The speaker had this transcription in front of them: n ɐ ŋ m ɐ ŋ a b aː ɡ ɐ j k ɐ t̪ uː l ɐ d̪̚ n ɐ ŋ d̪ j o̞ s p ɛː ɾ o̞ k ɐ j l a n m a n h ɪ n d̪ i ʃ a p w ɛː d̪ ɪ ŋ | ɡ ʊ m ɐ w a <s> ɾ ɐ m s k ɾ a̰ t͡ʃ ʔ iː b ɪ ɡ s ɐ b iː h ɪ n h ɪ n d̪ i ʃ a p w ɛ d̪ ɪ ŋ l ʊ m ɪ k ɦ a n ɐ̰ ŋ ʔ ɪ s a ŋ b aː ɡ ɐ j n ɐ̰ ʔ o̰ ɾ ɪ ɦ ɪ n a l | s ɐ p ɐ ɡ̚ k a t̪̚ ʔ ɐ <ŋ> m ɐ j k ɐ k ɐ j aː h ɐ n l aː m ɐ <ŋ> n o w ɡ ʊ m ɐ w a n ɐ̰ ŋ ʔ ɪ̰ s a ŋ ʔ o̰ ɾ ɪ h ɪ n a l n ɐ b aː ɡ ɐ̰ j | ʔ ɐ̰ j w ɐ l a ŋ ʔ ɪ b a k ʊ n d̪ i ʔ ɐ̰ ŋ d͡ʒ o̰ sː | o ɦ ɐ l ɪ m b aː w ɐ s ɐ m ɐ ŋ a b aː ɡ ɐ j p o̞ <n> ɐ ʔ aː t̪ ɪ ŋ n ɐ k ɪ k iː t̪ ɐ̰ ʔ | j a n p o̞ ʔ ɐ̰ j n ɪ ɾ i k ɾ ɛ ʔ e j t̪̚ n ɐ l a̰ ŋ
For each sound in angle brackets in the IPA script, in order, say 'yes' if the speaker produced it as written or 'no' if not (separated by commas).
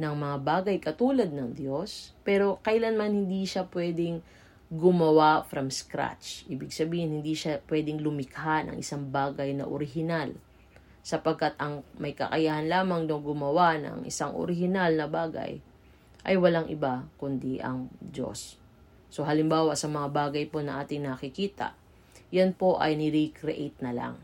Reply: no, yes, yes, yes